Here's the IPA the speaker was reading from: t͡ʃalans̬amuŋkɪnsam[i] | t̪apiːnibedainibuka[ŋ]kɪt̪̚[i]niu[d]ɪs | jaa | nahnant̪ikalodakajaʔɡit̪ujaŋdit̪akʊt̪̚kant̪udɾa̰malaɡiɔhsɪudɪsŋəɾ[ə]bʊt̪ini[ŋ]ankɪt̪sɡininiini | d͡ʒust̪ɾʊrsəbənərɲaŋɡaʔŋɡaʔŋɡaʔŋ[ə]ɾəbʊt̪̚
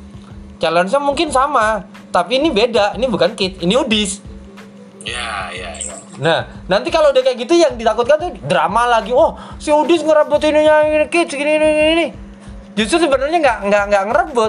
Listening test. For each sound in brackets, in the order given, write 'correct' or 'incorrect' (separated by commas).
incorrect, incorrect, correct, correct, correct, incorrect, correct